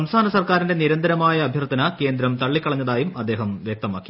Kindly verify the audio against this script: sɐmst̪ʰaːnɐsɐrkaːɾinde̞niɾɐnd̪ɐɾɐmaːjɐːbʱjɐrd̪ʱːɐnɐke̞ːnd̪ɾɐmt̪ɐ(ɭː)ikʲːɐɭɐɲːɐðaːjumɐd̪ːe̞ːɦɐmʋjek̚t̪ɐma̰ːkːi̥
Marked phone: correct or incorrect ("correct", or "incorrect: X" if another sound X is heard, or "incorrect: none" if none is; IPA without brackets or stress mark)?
correct